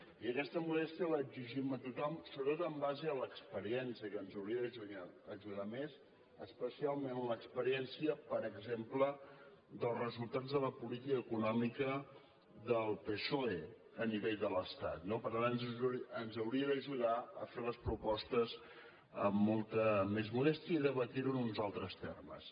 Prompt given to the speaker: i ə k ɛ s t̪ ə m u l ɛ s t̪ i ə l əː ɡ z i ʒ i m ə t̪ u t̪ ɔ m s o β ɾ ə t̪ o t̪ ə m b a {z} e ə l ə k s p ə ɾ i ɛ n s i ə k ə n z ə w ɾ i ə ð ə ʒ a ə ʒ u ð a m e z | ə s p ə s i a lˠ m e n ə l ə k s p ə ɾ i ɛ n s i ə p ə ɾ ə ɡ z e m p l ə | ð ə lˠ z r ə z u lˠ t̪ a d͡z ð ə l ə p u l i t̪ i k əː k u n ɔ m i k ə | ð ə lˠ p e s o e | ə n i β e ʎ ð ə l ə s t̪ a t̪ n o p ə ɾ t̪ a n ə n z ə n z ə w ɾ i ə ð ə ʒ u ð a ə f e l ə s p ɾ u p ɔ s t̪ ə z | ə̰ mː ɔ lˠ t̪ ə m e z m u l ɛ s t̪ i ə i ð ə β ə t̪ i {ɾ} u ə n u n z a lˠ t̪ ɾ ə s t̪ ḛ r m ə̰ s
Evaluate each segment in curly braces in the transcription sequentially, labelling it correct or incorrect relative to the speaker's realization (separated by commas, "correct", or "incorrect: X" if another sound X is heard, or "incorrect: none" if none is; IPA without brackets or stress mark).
correct, correct